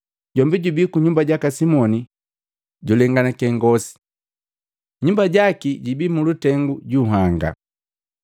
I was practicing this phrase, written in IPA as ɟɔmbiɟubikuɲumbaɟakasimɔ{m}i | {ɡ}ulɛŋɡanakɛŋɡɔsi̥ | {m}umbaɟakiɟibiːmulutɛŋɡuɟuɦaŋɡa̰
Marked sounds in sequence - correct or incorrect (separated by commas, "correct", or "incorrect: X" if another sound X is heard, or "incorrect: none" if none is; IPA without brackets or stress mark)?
incorrect: n, incorrect: ɟ, incorrect: ɲ